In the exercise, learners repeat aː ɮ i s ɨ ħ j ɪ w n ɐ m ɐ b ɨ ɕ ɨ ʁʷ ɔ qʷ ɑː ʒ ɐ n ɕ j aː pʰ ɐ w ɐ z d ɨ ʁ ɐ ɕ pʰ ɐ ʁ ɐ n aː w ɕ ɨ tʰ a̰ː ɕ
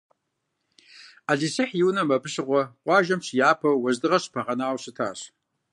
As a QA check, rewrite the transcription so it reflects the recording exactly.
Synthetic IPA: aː ɮ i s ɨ ħ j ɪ w n ɐ m ɐ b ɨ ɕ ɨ ʁʷ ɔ qʷ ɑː ʒ ɐ m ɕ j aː pʰ ɐ w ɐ z d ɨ ʁ ɐ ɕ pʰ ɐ ʁ ɐ n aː w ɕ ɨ tʰ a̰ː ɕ